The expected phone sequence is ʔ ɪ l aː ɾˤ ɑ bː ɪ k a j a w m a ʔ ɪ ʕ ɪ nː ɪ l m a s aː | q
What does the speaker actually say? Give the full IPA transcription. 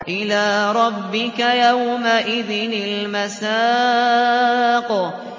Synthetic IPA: ʔ ɪ l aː ɾˤ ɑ bː ɪ k a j a w m a ʔ ɪ ð ɪ n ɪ l m a s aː | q

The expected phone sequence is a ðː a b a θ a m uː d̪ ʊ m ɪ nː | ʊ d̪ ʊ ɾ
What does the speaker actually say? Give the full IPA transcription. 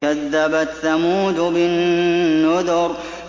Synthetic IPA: a ðː a b a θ a m uː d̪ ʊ b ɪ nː | ʊ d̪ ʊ ɾ

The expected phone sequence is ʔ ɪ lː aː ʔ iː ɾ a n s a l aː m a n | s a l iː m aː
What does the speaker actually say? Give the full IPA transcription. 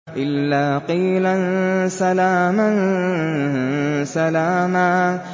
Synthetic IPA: ʔ ɪ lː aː q iː l a n s a l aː m a n | s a l aː m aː

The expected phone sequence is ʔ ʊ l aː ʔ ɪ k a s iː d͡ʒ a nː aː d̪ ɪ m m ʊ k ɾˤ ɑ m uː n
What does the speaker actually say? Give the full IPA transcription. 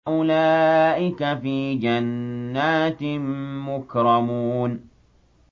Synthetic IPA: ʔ ʊ l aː ʔ ɪ k a f iː d͡ʒ a nː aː t̪ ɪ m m ʊ k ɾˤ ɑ m uː n

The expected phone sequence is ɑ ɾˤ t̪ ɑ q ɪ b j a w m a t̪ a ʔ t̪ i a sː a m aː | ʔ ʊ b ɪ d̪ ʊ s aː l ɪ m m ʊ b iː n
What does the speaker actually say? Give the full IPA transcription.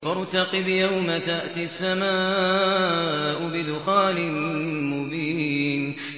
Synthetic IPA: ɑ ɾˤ t̪ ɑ q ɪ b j a w m a t̪ a ʔ t̪ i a sː a m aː | ʔ ʊ b ɪ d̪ ʊ x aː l ɪ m m ʊ b iː n

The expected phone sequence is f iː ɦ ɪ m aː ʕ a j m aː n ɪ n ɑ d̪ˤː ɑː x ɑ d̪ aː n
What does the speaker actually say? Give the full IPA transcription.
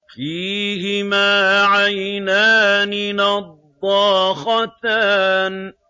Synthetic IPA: f iː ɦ ɪ m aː ʕ a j n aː n ɪ n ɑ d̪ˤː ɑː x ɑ t̪ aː n

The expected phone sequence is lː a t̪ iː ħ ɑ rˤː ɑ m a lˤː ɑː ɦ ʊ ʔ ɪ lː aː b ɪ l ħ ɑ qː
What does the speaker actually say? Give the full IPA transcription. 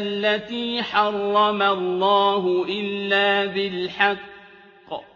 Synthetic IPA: lː a t̪ iː ħ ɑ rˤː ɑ m a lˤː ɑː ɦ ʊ ʔ ɪ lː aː b ɪ l ħ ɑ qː

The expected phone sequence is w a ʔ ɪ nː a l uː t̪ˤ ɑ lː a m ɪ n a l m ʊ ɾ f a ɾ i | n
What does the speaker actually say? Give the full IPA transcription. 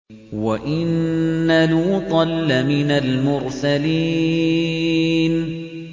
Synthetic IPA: w a ʔ ɪ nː a l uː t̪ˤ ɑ lː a m ɪ n a l m ʊ ɾ s a l i | n

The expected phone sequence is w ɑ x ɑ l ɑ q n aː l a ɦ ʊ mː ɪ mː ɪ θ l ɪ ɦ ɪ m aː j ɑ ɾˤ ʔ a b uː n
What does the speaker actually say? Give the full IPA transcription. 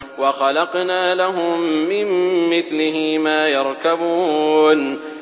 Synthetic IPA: w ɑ x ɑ l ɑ q n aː l a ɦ ʊ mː ɪ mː ɪ θ l ɪ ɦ ɪ m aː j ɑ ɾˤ k a b uː n

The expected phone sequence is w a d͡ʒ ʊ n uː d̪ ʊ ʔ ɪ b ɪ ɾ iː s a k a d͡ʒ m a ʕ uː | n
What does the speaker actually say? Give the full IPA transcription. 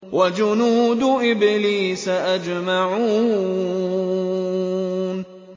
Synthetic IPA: w a d͡ʒ ʊ n uː d̪ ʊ ʔ ɪ b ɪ l iː s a ʔ a d͡ʒ m a ʕ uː | n

